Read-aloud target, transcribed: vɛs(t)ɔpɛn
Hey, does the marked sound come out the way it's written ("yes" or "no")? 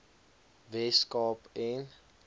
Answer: no